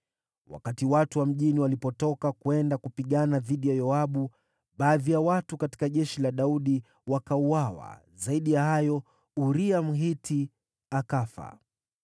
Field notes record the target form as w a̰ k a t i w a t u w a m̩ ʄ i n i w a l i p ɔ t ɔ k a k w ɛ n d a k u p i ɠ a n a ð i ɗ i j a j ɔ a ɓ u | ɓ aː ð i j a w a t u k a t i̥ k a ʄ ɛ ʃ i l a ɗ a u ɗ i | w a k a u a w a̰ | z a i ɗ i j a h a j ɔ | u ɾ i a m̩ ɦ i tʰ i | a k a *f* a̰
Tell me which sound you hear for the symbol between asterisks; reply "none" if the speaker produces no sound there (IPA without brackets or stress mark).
f